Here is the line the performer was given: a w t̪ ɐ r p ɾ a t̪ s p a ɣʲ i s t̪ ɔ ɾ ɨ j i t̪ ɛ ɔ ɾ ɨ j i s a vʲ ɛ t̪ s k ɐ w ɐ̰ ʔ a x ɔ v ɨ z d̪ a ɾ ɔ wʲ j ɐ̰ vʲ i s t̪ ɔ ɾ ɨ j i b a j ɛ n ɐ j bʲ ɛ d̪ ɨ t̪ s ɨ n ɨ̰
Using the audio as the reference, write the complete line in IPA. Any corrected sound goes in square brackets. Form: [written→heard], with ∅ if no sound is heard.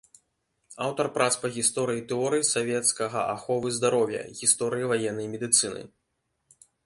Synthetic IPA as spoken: a w t̪ ɐ r p ɾ a t̪ s p [a→ɐ] ɣʲ i s t̪ ɔ ɾ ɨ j i t̪ ɛ ɔ ɾ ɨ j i s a vʲ ɛ t̪ s k ɐ [w→ɣ] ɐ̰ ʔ a x ɔ v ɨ z d̪ a ɾ ɔ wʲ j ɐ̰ [vʲ→ɣʲ] i s t̪ ɔ ɾ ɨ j i [b→v] a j ɛ [n→nː] ɐ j [bʲ→mʲ] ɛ d̪ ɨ t̪ s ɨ n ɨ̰